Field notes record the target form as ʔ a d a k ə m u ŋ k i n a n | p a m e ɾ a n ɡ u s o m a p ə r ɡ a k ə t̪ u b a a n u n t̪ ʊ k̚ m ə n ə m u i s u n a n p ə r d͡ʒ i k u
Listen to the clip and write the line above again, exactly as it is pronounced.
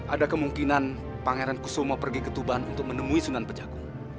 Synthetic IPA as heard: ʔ a d a k ə m u ŋ k i n a n | p a ŋ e ɾ a n k u s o m a p ə r ɡ i k ə t̪ u b a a n u n t̪ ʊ k̚ m ə n ə m u i s u n a n p ə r d͡ʒ a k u